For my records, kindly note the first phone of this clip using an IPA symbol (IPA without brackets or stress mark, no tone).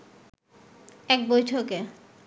ɛ